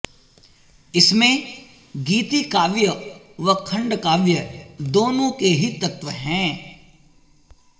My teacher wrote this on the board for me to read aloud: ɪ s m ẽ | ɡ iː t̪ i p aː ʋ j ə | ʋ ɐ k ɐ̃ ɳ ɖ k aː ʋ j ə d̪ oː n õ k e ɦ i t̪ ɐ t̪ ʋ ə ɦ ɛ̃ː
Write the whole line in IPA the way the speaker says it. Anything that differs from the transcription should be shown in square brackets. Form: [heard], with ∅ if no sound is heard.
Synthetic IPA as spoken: ɪ s m ẽ | ɡ iː t̪ i [k] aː ʋ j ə | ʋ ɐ [kʰ] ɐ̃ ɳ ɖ k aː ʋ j ə d̪ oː n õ k e ɦ i t̪ ɐ t̪ ʋ ə ɦ ɛ̃ː

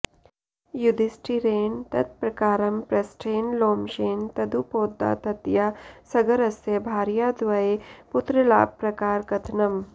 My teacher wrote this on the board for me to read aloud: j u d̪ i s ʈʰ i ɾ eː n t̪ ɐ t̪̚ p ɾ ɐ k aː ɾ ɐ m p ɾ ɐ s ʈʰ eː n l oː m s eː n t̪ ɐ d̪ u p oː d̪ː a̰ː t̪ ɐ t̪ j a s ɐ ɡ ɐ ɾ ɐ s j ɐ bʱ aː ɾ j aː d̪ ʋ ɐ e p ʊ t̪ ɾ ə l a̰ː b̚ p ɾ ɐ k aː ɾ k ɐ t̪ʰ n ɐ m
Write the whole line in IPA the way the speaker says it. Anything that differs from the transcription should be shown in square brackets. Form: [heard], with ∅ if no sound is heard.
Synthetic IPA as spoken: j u d̪ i s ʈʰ i ɾ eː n t̪ ɐ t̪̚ p ɾ ɐ k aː ɾ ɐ m p ɾ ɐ s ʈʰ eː n l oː m [ʃ] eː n t̪ ɐ d̪ u p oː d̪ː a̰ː t̪ ɐ t̪ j a s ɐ ɡ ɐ ɾ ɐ s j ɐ bʱ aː ɾ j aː d̪ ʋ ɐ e p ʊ t̪ ɾ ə l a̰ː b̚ p ɾ ɐ k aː ɾ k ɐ t̪ʰ n ɐ m

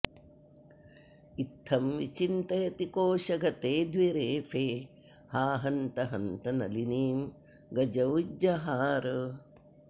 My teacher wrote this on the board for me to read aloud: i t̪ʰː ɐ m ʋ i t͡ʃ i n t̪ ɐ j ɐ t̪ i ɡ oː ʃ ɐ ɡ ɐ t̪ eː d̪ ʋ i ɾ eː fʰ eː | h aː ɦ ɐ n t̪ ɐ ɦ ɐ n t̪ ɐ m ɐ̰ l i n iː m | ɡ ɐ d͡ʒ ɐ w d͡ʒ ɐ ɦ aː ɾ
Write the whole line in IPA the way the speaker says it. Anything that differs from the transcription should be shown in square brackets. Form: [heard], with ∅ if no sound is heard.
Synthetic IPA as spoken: i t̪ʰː ɐ m ʋ i t͡ʃ i n t̪ ɐ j ɐ t̪ i [k] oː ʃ ɐ ɡ ɐ t̪ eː d̪ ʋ i ɾ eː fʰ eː | h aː ɦ ɐ n t̪ ɐ ɦ ɐ n t̪ ɐ [n] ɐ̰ l i n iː m | ɡ ɐ d͡ʒ ɐ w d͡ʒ ɐ ɦ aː ɾ

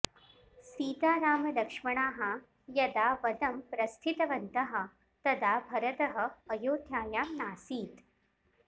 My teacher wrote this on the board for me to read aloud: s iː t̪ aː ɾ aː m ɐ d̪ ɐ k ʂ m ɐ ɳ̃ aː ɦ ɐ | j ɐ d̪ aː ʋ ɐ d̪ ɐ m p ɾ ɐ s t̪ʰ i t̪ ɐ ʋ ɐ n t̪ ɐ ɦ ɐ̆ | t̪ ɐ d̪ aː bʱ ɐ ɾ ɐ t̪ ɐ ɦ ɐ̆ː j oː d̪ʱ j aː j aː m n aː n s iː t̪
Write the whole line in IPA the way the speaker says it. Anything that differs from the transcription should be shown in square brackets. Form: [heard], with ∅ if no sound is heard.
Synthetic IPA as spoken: s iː t̪ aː ɾ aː m ɐ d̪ ɐ k ʂ m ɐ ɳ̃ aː ɦ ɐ | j ɐ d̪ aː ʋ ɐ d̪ ɐ m p ɾ ɐ s t̪ʰ i t̪ ɐ ʋ ɐ n t̪ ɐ ɦ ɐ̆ | t̪ ɐ d̪ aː bʱ ɐ ɾ ɐ t̪ ɐ ɦ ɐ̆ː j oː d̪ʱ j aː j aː m n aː [∅] s iː t̪

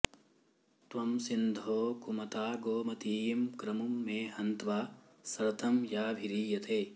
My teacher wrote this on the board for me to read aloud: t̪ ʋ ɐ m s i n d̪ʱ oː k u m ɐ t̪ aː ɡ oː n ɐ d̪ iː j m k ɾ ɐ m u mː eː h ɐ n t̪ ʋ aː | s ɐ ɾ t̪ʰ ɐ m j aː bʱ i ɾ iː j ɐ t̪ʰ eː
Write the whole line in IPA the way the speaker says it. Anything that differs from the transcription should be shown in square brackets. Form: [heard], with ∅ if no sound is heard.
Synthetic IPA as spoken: t̪ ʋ ɐ m s i n d̪ʱ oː k u m ɐ t̪ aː ɡ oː [m] ɐ [t̪] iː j m k ɾ ɐ m u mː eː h ɐ n t̪ ʋ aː | s ɐ ɾ t̪ʰ ɐ m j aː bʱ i ɾ iː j ɐ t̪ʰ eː

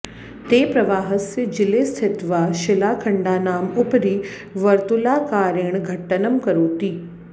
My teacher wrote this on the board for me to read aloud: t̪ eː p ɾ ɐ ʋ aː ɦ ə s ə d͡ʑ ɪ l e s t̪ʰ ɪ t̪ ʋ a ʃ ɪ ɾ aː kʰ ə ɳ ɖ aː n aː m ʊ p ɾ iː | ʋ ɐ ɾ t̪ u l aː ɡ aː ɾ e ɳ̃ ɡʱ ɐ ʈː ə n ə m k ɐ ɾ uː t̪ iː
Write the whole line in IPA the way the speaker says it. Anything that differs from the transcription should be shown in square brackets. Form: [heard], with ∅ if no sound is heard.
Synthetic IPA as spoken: t̪ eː p ɾ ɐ ʋ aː ɦ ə s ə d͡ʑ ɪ l e s t̪ʰ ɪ t̪ ʋ a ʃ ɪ [l] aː kʰ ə ɳ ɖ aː n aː m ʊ p ɾ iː | ʋ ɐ ɾ t̪ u l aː [k] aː ɾ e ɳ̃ ɡʱ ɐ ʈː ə n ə m k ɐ ɾ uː t̪ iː

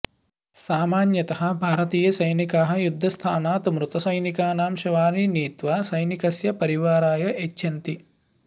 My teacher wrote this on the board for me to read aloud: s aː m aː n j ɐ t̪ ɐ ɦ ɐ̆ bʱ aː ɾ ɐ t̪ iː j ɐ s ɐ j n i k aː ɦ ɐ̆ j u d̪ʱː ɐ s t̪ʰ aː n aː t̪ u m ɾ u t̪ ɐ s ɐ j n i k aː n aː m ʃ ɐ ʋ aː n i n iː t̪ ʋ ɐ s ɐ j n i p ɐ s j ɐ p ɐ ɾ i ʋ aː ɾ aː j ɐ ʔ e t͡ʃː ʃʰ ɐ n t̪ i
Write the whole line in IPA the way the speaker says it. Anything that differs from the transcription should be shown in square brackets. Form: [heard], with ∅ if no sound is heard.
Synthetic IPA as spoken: s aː m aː n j ɐ t̪ ɐ ɦ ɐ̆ bʱ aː ɾ ɐ t̪ iː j ɐ s ɐ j n i k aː ɦ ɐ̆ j u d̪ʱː ɐ s t̪ʰ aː n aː t̪ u m ɾ u t̪ ɐ s ɐ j n i k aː n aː m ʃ ɐ ʋ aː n i n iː t̪ ʋ ɐ s ɐ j n i [k] ɐ s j ɐ p ɐ ɾ i ʋ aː ɾ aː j ɐ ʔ e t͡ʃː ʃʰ ɐ n t̪ i

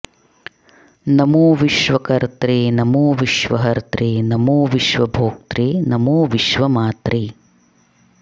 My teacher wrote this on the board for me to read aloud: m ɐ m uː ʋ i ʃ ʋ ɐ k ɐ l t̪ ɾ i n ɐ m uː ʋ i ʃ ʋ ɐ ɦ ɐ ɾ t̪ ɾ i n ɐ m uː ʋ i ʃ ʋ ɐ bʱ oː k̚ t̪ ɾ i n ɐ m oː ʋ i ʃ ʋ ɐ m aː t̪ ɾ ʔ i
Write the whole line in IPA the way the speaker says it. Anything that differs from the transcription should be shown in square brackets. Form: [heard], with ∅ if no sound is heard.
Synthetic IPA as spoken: [n] ɐ m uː ʋ i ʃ ʋ ɐ k ɐ [ɾ] t̪ ɾ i n ɐ m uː ʋ i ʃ ʋ ɐ ɦ ɐ ɾ t̪ ɾ i n ɐ m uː ʋ i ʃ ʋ ɐ bʱ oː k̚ t̪ ɾ i n ɐ m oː ʋ i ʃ ʋ ɐ m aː t̪ ɾ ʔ i

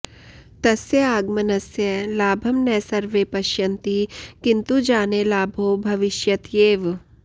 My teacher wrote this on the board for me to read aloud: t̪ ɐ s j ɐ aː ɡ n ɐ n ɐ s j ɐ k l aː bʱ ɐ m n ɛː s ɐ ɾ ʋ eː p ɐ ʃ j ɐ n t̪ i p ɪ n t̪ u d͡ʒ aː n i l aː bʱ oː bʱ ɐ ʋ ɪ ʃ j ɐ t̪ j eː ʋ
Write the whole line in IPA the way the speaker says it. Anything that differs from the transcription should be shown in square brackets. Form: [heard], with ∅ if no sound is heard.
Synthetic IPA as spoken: t̪ ɐ s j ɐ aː ɡ [m] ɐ n ɐ s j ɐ [∅] l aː bʱ ɐ m n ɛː s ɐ ɾ ʋ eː p ɐ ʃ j ɐ n t̪ i [k] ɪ n t̪ u d͡ʒ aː n [e] l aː bʱ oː bʱ ɐ ʋ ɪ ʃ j ɐ t̪ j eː ʋ

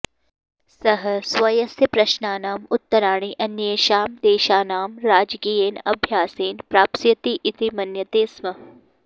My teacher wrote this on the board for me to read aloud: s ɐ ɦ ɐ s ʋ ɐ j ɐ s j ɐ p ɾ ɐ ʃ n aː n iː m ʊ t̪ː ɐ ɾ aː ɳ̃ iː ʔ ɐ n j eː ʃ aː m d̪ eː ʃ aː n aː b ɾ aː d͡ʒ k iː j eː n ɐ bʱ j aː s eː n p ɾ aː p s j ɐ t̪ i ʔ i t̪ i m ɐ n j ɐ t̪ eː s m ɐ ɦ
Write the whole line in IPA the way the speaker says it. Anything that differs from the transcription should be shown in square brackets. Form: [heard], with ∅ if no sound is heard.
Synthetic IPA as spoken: s ɐ ɦ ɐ s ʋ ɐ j ɐ s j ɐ p ɾ ɐ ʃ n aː n [aː] m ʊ t̪ː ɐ ɾ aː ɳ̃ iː ʔ ɐ n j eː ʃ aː m d̪ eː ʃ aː n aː [m] ɾ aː d͡ʒ k iː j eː n ɐ bʱ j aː s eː n p ɾ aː p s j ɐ t̪ i ʔ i t̪ i m ɐ n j ɐ t̪ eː s m ɐ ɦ

